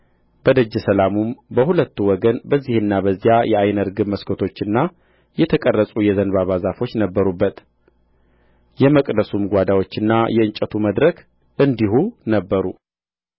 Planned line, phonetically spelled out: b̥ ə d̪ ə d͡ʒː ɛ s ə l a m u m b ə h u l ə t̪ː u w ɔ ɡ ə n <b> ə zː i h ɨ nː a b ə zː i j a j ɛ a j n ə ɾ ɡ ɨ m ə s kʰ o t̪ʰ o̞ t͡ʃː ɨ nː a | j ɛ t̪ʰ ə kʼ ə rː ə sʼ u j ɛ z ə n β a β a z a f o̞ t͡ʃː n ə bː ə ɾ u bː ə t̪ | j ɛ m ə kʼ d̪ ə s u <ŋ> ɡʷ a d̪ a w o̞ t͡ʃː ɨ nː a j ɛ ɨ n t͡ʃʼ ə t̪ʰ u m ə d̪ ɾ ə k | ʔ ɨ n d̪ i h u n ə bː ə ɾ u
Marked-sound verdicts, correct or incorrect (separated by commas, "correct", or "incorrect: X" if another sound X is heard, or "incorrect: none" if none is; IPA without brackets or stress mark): correct, incorrect: m